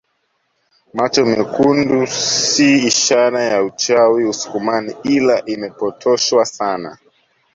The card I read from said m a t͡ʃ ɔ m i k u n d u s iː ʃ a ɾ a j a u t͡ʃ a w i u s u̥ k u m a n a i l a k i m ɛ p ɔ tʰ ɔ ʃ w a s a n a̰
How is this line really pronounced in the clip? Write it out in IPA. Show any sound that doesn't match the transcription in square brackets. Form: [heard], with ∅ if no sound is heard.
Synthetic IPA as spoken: m a t͡ʃ ɔ m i k u n d u s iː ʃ a ɾ a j a u t͡ʃ a w i u s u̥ k u m a n [i] i l a [ʔ] i m ɛ p ɔ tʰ ɔ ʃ w a s a n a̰